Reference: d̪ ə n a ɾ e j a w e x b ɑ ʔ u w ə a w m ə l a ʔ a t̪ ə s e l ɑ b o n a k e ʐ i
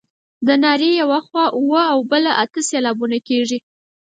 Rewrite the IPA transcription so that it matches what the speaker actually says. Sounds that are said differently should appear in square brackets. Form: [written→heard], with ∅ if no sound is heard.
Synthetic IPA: d̪ ə n [a→ɑ] ɾ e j a w [e→a] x [b→w] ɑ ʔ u w ə a w [m→b] ə l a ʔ a t̪ ə s e l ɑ b [o→u] n a k e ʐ i